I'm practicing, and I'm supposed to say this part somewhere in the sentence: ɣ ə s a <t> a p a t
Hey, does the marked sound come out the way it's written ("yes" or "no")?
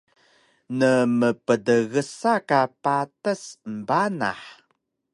no